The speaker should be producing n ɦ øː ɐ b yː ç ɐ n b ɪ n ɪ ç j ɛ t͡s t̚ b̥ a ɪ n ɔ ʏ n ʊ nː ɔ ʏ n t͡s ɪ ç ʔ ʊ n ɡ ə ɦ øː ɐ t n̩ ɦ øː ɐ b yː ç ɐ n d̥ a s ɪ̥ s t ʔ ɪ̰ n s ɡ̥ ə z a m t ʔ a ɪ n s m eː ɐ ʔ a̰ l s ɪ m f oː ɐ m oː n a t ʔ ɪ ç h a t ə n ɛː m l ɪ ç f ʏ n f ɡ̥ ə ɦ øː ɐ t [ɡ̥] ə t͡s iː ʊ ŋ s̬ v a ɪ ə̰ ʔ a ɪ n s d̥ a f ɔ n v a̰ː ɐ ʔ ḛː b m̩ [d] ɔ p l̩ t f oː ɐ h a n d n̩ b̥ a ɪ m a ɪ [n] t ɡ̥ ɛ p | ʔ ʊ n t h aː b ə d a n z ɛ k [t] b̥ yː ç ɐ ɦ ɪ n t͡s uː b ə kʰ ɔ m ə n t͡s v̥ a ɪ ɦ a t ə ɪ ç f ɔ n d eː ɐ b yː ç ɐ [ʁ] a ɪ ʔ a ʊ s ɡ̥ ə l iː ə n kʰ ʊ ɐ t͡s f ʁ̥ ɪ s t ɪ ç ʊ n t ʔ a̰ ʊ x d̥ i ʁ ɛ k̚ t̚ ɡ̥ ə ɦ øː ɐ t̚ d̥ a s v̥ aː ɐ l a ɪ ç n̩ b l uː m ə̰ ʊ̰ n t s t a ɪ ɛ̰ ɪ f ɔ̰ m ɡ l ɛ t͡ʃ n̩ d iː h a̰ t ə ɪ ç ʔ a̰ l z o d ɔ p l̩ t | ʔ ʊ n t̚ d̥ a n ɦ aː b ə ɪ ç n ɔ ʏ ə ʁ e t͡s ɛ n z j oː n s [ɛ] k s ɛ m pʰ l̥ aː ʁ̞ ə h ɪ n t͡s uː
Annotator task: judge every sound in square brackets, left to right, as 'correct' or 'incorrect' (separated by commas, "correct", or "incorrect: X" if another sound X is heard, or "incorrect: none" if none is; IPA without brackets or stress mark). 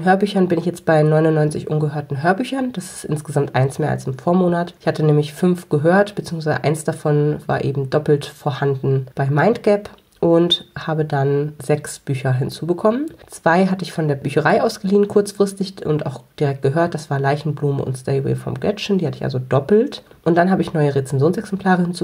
incorrect: b̥, correct, correct, incorrect: s, correct, correct